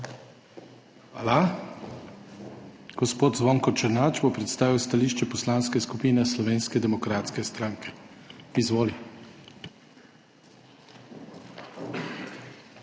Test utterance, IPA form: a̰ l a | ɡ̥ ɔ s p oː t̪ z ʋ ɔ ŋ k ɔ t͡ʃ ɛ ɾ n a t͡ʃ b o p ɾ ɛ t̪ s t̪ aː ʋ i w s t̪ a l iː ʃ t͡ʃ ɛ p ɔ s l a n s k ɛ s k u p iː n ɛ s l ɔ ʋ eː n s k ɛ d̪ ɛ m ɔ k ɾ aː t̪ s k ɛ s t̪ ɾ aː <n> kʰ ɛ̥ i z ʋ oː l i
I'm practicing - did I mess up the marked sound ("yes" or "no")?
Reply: yes